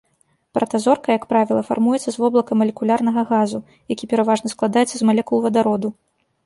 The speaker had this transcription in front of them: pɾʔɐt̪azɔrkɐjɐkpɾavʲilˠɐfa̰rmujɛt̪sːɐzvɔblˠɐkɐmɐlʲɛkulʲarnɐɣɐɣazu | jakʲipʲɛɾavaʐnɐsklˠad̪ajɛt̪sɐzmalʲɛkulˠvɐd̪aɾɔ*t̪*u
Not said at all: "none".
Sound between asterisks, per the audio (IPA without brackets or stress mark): d̪